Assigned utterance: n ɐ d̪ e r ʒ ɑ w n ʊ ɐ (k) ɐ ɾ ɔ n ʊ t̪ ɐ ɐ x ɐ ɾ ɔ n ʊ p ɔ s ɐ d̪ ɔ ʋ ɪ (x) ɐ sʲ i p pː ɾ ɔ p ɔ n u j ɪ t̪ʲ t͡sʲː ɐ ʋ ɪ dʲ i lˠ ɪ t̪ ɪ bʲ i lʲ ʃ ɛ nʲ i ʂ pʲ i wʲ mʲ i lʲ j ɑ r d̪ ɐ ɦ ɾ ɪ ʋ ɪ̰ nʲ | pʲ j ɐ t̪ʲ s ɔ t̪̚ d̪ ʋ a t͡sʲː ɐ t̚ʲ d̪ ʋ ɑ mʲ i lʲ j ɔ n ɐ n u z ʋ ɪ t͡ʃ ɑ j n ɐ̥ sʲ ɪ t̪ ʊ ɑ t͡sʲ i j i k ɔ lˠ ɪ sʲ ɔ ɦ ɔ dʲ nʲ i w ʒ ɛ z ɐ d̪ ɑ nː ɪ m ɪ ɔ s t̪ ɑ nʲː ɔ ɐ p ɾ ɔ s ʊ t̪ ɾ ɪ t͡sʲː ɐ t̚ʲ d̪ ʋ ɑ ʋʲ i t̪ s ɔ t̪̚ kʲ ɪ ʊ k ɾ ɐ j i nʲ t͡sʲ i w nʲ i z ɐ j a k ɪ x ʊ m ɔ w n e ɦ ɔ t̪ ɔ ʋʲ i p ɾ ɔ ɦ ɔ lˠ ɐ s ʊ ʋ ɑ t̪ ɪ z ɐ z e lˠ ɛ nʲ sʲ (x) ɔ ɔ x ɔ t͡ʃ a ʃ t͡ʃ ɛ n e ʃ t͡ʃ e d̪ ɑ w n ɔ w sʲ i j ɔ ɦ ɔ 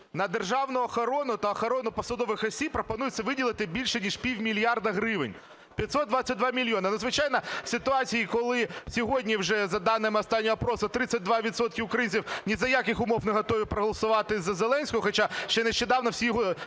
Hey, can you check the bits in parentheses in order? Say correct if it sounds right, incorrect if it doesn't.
incorrect: x, correct, incorrect: k

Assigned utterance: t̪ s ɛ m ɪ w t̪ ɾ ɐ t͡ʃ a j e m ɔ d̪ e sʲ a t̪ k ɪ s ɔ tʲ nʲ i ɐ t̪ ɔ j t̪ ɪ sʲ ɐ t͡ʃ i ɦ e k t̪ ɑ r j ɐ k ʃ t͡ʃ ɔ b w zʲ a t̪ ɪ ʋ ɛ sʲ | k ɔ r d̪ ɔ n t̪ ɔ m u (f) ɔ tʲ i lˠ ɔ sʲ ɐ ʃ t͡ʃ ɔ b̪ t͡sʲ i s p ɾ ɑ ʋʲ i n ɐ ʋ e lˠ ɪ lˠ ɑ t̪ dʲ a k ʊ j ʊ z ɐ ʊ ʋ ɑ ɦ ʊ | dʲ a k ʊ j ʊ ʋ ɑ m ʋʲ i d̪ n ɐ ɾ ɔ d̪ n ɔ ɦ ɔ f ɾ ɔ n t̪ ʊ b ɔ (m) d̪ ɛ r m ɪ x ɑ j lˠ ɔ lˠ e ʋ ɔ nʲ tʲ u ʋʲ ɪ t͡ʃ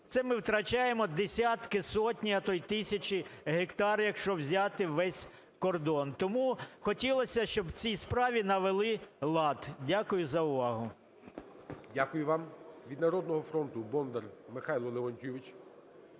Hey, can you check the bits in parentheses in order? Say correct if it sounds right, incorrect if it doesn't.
incorrect: x, incorrect: n

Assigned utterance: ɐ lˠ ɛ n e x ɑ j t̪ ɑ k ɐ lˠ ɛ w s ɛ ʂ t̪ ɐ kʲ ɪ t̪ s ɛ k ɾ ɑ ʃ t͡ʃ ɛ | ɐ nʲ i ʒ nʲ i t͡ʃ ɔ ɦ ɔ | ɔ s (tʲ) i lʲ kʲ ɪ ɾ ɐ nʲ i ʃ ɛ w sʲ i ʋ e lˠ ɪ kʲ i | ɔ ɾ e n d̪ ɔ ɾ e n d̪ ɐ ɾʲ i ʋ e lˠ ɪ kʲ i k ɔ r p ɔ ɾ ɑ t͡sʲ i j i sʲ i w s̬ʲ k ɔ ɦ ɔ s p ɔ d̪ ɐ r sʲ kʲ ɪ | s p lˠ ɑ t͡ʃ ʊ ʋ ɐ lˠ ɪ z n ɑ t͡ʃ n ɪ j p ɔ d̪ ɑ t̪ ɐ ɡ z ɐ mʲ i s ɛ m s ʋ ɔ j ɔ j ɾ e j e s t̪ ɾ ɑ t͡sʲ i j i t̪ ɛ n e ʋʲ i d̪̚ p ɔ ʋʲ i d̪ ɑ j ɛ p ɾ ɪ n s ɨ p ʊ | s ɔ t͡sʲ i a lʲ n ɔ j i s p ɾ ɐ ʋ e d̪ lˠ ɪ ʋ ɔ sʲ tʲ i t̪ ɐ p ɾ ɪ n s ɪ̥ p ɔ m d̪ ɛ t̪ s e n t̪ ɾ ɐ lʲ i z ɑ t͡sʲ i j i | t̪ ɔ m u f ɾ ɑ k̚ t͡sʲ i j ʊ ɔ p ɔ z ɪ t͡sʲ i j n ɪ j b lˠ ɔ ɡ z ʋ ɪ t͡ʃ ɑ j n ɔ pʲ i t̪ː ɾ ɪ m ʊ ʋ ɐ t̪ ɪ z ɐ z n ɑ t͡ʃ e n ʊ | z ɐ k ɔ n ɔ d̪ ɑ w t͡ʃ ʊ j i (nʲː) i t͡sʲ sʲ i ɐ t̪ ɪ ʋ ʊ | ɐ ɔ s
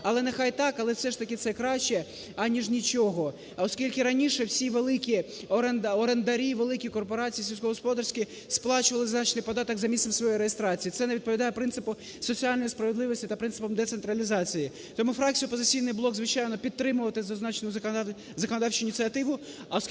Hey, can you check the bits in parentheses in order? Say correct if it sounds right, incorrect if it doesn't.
incorrect: kʲ, incorrect: nʲ

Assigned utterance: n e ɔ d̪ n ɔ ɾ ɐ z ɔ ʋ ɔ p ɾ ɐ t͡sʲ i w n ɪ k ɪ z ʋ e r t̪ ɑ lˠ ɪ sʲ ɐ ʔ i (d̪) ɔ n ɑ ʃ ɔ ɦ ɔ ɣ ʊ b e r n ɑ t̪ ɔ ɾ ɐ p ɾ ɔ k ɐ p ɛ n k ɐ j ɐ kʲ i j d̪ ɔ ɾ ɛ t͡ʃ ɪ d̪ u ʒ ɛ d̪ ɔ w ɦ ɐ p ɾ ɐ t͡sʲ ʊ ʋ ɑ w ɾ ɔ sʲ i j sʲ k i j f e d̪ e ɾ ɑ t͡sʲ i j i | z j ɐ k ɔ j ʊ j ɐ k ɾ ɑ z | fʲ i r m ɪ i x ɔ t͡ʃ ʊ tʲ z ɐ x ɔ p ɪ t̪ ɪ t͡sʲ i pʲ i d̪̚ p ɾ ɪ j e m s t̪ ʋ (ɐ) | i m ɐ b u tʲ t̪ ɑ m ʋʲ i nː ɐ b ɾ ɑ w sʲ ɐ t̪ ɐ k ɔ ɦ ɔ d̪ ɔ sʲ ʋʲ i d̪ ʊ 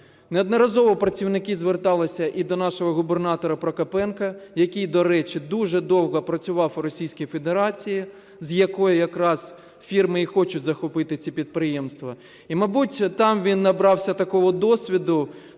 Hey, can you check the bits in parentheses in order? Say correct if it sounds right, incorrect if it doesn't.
correct, correct

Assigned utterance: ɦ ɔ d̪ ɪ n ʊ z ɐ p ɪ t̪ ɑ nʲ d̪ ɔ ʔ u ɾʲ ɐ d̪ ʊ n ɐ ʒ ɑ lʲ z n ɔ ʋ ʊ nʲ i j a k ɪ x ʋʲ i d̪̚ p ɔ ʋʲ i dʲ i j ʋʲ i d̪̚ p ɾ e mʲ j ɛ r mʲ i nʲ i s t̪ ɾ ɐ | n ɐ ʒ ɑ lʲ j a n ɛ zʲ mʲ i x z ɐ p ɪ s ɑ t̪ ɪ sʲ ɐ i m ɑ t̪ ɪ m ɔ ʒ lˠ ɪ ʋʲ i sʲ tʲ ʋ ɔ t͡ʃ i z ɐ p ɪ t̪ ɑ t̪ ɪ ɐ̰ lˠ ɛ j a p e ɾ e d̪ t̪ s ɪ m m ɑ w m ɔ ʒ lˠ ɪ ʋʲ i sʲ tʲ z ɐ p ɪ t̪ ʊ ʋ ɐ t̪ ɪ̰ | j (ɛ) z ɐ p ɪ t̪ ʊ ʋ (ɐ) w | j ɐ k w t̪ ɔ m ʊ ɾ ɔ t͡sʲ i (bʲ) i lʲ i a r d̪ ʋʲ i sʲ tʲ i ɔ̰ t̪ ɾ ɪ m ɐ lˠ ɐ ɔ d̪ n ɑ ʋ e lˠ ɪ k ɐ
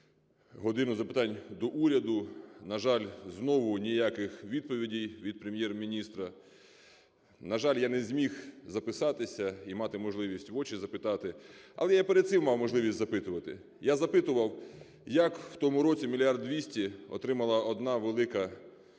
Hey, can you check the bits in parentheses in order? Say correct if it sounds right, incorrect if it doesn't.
incorrect: a, correct, incorrect: mʲ

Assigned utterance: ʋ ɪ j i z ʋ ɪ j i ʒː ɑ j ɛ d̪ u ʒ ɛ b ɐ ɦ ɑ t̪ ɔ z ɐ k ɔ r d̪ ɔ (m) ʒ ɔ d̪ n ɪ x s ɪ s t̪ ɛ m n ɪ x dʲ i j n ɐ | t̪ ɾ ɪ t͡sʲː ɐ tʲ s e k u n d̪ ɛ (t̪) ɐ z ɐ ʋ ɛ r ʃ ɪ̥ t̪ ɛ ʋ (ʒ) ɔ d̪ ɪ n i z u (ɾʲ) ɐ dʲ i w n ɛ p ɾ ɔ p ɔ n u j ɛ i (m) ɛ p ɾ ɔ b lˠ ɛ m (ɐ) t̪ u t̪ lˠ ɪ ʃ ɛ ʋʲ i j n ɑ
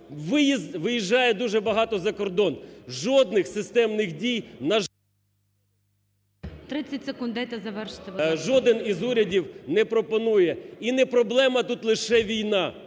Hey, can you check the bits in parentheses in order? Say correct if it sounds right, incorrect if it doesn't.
incorrect: n, correct, correct, correct, incorrect: n, correct

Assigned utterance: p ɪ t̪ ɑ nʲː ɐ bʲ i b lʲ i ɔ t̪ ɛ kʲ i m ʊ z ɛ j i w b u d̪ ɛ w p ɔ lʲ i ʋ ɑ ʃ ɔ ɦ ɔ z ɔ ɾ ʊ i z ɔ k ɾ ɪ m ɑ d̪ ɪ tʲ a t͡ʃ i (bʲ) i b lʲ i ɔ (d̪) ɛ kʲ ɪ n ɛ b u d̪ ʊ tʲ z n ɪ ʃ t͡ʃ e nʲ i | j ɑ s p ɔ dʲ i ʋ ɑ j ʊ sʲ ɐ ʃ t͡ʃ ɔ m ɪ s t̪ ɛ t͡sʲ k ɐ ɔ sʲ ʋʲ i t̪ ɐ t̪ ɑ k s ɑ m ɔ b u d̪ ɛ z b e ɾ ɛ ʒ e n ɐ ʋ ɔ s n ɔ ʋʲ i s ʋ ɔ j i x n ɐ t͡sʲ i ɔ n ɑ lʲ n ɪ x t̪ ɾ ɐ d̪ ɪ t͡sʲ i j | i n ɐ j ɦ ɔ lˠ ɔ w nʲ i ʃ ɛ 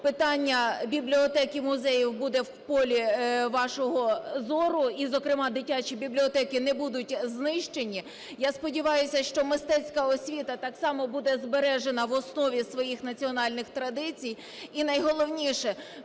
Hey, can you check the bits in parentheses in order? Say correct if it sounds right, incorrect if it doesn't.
correct, incorrect: t̪

